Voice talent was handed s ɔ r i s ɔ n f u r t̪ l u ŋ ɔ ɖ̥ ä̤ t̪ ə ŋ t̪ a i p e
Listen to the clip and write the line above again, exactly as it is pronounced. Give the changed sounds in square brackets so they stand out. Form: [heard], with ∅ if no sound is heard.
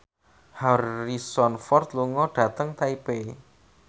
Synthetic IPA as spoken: [h] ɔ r i s ɔ n f [ɔ] r t̪ l u ŋ ɔ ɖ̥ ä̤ t̪ ə ŋ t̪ a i p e

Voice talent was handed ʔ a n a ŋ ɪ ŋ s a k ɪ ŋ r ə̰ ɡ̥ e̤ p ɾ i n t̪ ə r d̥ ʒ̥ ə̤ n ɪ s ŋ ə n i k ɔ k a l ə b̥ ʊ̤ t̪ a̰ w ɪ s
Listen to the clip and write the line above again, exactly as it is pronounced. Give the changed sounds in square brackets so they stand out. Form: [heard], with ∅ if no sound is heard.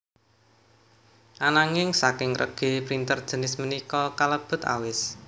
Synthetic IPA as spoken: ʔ a n a ŋ ɪ ŋ s a k ɪ ŋ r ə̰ ɡ̥ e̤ p ɾ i n t̪ ə r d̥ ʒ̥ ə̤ n ɪ s [m] ə n i k ɔ k a l ə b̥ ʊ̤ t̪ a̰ w ɪ s

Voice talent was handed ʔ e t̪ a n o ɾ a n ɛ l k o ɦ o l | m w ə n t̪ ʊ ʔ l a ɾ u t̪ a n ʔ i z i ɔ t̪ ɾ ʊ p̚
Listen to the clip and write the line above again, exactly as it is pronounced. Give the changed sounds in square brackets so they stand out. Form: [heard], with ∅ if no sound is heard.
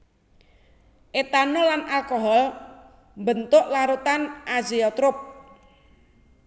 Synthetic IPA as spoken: ʔ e t̪ a n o [l] a n [a] l k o ɦ [ɔ] l | m [b] ə n t̪ ʊ ʔ l a ɾ u t̪ a n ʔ [a] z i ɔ t̪ ɾ ʊ p̚

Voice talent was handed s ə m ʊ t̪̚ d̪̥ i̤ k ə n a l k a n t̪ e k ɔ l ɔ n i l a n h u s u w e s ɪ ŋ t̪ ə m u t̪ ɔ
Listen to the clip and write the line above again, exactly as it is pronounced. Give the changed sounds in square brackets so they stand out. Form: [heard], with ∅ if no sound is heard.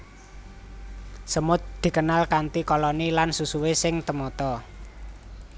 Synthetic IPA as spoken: s ə m ʊ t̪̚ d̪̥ i̤ k ə n a l k a n t̪ [i] k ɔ l ɔ n i l a n [s] u s u w e s ɪ ŋ t̪ ə m [ɔ] t̪ ɔ

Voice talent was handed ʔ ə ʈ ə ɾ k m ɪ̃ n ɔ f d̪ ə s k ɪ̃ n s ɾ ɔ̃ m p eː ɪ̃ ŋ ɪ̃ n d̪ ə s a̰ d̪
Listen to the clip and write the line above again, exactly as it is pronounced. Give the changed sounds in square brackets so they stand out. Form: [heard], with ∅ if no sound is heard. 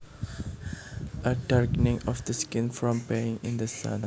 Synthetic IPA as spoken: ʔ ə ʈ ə ɾ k [n] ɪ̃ [ŋ] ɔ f d̪ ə s k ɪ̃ n [f] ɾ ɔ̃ m p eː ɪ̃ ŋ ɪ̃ n d̪ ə s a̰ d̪

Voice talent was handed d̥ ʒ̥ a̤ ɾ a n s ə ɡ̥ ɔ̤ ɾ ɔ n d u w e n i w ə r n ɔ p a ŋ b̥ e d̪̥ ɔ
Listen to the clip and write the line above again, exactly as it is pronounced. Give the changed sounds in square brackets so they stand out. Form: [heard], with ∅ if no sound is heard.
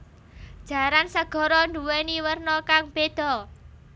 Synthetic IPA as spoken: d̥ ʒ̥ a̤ ɾ a n s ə ɡ̥ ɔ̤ ɾ ɔ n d u w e n i w ə r n ɔ [k] a ŋ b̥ e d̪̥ ɔ

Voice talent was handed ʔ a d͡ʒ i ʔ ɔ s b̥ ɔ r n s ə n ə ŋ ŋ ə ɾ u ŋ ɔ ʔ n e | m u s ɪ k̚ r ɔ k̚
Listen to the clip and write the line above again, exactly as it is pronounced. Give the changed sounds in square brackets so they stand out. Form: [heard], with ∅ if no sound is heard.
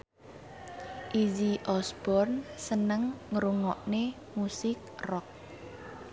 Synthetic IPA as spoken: ʔ [i] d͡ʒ i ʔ ɔ s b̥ ɔ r n s ə n ə ŋ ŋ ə ɾ u ŋ ɔ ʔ n e | m u s ɪ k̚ r ɔ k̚

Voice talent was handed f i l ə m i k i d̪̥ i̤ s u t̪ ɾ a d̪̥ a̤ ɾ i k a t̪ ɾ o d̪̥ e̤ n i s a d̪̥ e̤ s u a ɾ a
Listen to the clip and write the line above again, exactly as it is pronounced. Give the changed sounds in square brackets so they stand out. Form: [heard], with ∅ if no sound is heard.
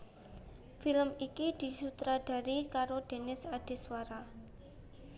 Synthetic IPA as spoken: f i l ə m i k i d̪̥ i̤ s u t̪ ɾ a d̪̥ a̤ ɾ i k a [∅] ɾ o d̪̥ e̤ n [ɪ] s a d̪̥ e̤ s [w] a ɾ a

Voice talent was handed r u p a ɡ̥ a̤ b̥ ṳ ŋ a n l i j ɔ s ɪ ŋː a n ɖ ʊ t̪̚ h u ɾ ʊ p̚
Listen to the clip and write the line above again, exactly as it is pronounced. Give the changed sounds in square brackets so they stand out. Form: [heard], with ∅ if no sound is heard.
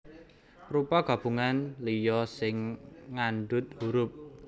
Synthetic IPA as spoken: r u p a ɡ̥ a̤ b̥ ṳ ŋ a n l i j ɔ s ɪ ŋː a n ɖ ʊ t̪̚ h u ɾ ʊ p̚

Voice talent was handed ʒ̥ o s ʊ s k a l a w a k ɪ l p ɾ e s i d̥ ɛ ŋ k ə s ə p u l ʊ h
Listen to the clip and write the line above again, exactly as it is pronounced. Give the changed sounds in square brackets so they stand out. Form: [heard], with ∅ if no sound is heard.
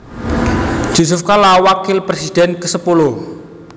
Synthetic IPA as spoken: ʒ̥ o s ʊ [f] k a l a w a k ɪ l p ɾ e s i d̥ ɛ [n] k ə s ə p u l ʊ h

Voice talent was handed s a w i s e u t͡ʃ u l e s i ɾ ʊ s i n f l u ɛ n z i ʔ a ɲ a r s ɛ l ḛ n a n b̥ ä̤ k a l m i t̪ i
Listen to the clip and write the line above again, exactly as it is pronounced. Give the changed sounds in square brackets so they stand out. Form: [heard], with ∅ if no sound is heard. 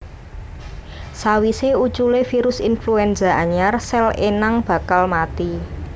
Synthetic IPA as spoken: s a w i s e u t͡ʃ u l e [f] i ɾ ʊ s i n f l u ɛ n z [a] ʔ a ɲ a r s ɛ l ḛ n a [ŋ] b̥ ä̤ k a l m [a] t̪ i

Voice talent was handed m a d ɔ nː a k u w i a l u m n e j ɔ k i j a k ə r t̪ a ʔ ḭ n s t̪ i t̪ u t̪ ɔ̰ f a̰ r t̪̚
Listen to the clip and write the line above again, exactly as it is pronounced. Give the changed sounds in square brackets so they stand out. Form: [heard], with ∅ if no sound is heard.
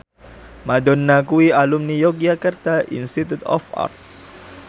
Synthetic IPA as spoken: m a d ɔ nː a k u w i a l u m n [i] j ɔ k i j a k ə r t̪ a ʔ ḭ n s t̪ i t̪ u t̪ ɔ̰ f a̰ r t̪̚

